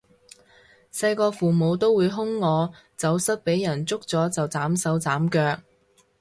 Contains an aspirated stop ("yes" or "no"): no